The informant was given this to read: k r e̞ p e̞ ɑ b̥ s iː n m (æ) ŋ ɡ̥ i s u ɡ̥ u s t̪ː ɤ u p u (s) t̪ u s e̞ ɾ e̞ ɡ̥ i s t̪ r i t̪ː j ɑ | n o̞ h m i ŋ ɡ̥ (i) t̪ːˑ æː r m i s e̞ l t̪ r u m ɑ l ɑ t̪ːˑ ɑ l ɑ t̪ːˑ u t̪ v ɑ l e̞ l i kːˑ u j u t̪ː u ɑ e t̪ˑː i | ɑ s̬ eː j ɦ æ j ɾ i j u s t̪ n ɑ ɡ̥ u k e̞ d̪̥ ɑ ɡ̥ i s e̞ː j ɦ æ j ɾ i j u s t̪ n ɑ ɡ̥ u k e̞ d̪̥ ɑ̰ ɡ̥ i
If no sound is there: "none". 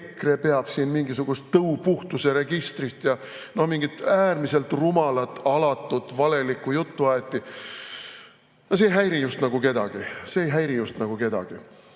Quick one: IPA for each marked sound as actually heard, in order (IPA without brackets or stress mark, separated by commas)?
i, h, i